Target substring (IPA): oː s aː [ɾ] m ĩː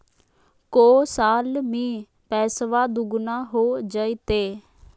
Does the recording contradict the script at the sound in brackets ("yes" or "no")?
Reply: yes